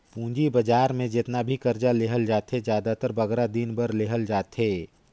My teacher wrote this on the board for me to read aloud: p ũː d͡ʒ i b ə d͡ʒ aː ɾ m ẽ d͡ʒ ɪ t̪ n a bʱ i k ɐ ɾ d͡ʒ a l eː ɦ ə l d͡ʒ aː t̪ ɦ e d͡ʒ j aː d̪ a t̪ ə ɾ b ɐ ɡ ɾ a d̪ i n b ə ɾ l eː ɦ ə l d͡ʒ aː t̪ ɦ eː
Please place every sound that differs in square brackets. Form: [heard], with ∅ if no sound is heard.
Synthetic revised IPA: p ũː d͡ʒ i b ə d͡ʒ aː ɾ m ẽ d͡ʒ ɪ t̪ n a bʱ i k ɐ ɾ d͡ʒ a l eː ɦ ə l d͡ʒ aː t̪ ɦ e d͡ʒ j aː d̪ a t̪ ə ɾ b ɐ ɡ ɾ a d̪ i n b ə ɾ l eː ɦ ə l d͡ʒ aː t̪ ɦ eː